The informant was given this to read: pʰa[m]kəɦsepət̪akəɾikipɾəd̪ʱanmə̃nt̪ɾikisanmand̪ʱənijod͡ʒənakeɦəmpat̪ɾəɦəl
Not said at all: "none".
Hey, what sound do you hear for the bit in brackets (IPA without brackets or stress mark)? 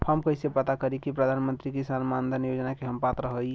m